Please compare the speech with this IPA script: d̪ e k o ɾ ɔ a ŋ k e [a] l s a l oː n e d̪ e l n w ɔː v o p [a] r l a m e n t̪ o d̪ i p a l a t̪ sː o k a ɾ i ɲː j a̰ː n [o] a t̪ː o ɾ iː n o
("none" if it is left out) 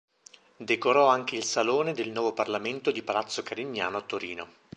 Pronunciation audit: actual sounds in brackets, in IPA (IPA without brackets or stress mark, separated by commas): i, a, o